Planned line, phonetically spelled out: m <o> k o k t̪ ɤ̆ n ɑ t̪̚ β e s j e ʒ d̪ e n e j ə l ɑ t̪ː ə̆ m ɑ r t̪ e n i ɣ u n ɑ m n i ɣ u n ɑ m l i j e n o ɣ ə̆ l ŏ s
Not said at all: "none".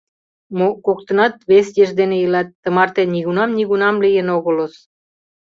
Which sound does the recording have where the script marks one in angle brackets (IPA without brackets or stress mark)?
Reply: o